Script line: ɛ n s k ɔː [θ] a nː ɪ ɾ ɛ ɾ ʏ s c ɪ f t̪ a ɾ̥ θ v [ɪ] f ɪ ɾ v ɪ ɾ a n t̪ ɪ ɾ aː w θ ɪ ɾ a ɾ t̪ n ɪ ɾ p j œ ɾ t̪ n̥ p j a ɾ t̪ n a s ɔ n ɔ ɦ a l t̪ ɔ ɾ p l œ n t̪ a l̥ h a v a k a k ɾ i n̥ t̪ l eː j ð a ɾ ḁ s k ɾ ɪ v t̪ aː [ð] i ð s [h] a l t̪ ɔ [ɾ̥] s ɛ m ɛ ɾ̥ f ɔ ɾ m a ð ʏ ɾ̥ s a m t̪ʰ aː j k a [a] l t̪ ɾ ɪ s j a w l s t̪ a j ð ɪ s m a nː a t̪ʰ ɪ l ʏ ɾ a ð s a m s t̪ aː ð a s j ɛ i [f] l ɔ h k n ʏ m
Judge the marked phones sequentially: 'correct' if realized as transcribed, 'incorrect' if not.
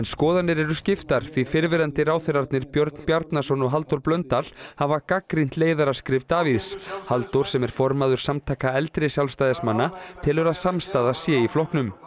incorrect, incorrect, incorrect, correct, correct, incorrect, correct

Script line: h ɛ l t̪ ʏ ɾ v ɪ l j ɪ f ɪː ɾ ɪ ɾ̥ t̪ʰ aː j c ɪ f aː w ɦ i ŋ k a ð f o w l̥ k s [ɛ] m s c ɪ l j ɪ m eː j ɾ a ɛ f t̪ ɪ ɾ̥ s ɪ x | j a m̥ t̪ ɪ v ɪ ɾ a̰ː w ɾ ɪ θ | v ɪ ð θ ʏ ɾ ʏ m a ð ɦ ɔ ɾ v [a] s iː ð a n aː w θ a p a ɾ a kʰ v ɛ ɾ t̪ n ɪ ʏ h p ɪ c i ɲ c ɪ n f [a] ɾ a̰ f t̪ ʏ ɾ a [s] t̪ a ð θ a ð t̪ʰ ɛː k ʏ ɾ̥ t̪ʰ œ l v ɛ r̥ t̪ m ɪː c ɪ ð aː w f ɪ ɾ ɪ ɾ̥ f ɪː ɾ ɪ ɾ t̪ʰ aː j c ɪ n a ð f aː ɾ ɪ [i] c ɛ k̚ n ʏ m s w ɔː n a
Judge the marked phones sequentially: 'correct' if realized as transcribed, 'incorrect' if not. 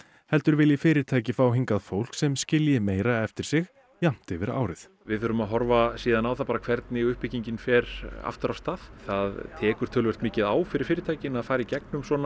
correct, correct, incorrect, correct, correct

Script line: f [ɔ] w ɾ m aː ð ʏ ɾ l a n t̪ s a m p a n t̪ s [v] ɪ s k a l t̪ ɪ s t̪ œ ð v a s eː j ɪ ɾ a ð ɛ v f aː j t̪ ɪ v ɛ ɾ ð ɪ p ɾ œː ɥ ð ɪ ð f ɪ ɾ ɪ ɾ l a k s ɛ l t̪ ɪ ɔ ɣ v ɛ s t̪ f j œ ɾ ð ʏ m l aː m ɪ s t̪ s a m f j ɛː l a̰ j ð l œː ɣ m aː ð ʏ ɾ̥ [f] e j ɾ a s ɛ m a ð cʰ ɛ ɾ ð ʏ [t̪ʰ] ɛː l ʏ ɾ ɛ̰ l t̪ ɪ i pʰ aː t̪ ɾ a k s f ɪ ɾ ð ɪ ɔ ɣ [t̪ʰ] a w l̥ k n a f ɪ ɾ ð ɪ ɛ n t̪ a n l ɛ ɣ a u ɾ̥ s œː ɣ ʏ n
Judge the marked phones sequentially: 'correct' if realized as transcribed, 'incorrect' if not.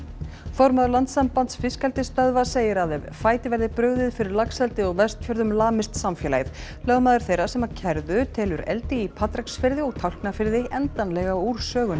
correct, incorrect, incorrect, correct, correct

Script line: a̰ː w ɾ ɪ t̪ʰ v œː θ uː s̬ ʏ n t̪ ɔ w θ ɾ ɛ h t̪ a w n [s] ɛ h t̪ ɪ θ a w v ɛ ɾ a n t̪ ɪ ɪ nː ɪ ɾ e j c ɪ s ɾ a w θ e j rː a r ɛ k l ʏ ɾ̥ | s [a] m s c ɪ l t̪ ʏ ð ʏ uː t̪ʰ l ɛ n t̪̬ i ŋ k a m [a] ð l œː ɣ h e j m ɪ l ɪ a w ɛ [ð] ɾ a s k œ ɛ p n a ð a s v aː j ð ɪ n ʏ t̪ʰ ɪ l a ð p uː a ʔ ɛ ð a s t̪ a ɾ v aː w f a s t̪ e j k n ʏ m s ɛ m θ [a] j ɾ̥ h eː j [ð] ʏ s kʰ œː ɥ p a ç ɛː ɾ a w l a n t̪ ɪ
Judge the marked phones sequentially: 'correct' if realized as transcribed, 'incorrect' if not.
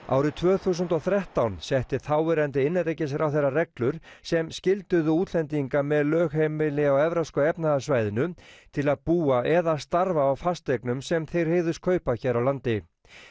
correct, incorrect, incorrect, incorrect, incorrect, correct

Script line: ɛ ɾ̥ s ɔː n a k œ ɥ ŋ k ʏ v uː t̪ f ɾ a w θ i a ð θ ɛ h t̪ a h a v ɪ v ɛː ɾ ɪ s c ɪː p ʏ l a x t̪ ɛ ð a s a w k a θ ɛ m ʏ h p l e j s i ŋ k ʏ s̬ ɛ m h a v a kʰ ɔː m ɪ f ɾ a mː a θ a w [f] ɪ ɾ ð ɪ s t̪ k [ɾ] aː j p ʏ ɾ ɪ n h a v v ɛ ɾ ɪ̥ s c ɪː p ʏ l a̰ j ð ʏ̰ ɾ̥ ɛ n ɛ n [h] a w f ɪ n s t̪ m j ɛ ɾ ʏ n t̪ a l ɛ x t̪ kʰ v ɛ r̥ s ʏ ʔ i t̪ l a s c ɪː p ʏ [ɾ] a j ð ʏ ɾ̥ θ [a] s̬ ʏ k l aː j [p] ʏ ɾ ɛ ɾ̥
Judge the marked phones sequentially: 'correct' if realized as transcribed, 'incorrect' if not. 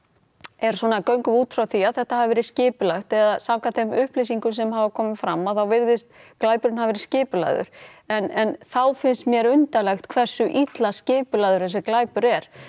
incorrect, incorrect, incorrect, incorrect, incorrect, correct

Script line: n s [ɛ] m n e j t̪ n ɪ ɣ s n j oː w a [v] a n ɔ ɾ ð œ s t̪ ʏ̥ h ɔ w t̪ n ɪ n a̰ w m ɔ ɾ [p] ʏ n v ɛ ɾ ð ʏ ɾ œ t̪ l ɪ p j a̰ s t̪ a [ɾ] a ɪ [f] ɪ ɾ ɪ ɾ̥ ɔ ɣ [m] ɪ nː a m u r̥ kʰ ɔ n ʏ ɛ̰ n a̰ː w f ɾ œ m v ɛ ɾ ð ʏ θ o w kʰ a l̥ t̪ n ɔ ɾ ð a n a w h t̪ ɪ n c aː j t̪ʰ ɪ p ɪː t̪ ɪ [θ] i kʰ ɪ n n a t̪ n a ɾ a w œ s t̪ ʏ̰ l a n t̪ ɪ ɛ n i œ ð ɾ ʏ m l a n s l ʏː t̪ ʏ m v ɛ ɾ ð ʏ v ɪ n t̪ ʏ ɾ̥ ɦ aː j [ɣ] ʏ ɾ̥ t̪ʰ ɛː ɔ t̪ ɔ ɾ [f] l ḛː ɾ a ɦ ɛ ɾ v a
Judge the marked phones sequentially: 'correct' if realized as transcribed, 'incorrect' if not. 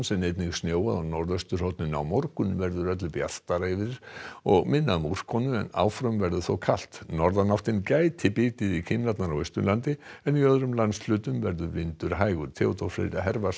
correct, incorrect, incorrect, correct, incorrect, correct, incorrect, correct, correct

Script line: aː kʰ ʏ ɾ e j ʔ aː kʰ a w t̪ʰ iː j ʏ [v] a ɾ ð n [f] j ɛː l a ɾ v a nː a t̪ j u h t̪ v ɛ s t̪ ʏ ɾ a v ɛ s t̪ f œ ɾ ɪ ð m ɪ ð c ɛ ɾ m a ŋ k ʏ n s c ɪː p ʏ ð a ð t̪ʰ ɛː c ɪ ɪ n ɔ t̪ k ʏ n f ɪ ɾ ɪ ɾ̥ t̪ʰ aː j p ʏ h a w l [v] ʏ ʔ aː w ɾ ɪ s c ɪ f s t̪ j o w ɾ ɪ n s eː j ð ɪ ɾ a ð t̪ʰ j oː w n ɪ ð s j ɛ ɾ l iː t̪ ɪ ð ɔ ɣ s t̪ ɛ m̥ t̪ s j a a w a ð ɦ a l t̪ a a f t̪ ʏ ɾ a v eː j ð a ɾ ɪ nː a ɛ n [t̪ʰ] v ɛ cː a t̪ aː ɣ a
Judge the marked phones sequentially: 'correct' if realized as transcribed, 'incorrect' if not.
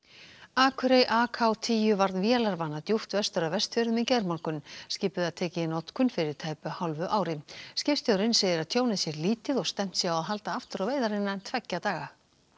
correct, incorrect, correct, correct

